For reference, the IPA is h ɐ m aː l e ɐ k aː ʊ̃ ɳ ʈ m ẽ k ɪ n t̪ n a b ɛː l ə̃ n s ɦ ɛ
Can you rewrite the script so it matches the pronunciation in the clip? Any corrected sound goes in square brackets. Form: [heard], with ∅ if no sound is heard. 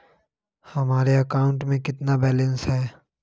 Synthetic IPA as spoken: h ɐ m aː [ɾ] e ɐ k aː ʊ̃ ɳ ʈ m ẽ k ɪ [∅] t̪ n a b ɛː l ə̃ n s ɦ [ɛː]